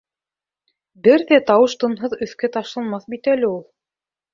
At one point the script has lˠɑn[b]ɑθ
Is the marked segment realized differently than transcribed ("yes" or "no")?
yes